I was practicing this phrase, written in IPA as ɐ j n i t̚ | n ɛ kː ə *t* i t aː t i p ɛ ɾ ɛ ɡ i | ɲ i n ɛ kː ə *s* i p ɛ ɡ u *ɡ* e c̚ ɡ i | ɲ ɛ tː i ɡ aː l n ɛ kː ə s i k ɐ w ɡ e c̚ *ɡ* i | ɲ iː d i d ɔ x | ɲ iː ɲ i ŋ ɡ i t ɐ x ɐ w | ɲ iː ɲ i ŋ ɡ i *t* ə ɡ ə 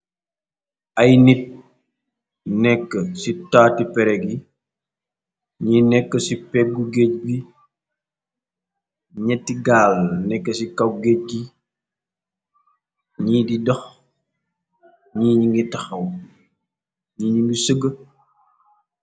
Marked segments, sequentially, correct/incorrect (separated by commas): incorrect, correct, correct, correct, incorrect